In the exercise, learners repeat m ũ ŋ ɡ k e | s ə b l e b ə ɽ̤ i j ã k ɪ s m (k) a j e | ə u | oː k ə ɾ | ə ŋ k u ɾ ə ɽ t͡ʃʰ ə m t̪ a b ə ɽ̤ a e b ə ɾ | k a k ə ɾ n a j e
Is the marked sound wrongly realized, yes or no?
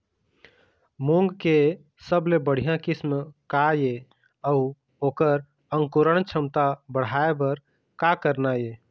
no